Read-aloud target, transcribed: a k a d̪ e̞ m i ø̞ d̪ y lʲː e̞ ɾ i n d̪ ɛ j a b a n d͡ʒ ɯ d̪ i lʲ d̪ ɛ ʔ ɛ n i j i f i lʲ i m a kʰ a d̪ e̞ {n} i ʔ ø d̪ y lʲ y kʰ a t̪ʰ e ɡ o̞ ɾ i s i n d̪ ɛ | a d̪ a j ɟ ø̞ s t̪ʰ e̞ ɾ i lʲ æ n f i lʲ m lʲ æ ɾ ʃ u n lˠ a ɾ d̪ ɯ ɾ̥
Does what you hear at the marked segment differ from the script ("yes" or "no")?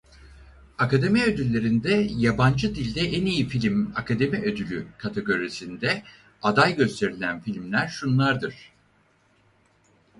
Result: yes